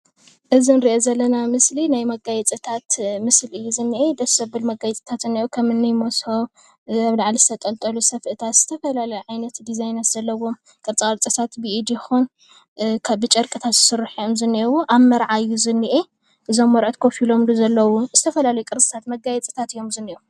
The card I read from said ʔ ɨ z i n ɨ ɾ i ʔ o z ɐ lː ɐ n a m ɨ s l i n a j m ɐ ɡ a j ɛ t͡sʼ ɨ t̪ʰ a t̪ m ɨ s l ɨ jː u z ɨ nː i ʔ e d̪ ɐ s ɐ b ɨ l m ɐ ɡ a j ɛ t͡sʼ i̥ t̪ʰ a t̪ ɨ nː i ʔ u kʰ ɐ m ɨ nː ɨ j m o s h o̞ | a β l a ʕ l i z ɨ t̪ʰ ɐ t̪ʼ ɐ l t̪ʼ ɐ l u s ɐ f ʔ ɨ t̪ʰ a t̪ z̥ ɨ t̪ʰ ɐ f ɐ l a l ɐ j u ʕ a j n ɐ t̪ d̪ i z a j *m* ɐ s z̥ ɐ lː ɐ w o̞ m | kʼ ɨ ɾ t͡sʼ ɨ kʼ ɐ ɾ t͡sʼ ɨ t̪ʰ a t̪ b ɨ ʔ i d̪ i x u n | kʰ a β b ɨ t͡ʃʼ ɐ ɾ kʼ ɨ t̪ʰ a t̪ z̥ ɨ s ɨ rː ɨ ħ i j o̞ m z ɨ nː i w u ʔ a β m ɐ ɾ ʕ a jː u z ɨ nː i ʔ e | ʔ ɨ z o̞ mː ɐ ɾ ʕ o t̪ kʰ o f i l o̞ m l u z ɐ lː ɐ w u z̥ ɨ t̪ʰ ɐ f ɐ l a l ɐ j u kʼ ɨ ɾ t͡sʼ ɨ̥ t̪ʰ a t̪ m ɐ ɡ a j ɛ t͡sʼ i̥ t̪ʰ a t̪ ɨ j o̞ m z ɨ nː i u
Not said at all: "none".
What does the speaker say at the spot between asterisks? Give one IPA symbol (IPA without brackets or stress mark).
n